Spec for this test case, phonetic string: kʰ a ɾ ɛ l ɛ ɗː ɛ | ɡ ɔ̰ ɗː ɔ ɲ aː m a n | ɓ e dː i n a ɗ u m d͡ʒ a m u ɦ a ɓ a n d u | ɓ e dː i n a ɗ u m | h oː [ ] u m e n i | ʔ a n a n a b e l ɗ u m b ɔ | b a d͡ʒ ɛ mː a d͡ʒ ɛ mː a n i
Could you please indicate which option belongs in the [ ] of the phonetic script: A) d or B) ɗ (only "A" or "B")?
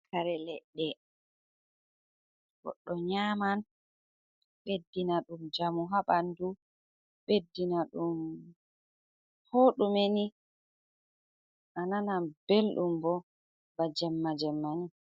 B